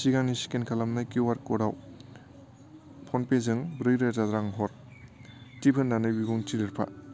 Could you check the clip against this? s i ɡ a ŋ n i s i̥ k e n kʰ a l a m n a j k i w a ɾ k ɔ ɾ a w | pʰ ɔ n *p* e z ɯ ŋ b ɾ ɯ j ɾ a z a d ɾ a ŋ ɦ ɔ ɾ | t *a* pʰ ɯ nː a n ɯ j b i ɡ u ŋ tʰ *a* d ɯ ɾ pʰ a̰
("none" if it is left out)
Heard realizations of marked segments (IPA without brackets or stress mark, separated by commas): p, i, i